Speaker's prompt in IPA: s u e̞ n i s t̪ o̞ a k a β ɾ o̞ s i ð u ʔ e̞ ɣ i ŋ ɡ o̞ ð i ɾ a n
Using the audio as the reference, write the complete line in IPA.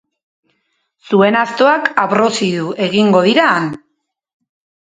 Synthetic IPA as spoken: s u e̞ n a s t̪ o̞ a k a β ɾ o̞ s i ð u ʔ e̞ ɣ i ŋ ɡ o̞ ð i ɾ a n